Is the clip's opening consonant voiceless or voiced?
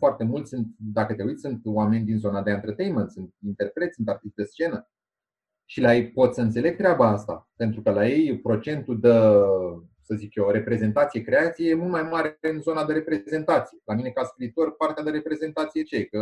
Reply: voiceless